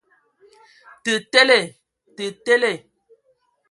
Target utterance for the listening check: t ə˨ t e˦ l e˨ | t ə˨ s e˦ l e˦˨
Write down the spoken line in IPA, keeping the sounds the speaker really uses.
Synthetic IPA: t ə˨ t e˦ l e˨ | t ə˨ t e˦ l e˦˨